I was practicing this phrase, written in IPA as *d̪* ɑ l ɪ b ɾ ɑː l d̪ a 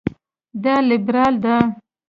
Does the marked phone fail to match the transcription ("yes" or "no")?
no